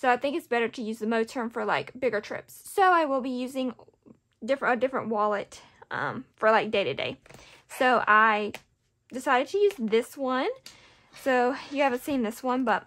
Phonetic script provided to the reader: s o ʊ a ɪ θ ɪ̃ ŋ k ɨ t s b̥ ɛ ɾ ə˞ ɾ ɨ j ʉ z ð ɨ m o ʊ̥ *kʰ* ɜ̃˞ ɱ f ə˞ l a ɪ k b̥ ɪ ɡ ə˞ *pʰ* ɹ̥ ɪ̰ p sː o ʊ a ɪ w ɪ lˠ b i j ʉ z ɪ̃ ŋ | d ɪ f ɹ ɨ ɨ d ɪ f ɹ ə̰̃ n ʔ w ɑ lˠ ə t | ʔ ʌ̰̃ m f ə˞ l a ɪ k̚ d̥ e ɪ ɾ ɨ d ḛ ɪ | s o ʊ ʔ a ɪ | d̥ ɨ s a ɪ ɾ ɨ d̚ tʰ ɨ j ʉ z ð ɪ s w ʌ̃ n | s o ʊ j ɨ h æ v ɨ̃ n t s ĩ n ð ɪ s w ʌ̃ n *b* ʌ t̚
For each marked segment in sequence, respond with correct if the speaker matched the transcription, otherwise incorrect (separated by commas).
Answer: incorrect, incorrect, correct